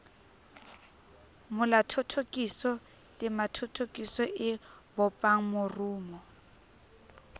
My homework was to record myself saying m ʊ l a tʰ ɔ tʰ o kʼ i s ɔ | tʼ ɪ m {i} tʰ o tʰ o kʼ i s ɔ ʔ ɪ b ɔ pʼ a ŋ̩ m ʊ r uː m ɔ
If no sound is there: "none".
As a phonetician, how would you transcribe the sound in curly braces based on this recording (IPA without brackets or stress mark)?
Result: a